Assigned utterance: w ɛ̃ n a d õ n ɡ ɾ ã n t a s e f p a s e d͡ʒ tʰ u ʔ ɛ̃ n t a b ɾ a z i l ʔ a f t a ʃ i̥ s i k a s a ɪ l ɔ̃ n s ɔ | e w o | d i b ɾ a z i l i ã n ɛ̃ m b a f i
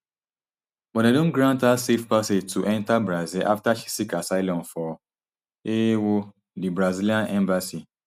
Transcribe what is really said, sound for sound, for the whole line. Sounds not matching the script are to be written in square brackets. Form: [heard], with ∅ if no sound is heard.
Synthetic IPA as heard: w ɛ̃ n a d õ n ɡ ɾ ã n t a s e f p a s e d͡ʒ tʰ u ʔ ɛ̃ n t a b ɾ a z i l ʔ a f t a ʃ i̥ s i k a s a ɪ l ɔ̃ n [f] ɔ | e w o | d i b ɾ a z i l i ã n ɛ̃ m b a [s] i